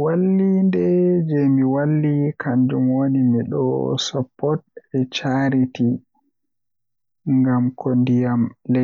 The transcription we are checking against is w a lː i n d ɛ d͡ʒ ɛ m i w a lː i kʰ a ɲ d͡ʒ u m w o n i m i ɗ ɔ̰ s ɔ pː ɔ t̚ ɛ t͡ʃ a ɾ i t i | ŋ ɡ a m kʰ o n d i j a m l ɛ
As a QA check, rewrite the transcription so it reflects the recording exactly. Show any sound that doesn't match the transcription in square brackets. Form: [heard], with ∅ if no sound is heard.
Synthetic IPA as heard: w a lː i n d ɛ d͡ʒ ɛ m i w a lː i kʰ a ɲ d͡ʒ u m w o n i m i ɗ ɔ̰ s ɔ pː ɔ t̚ ɛ t͡ʃ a ɾ i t i | ŋ ɡ a m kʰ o n d i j a m l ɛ